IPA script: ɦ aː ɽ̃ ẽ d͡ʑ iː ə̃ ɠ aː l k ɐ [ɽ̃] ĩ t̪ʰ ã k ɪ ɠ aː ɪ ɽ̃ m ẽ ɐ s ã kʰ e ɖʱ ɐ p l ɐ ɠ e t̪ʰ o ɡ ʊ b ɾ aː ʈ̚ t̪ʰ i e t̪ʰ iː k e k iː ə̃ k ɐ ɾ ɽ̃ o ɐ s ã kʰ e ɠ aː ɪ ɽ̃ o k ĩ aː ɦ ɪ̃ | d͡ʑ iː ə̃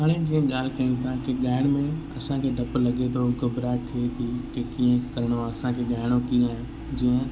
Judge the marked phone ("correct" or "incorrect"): incorrect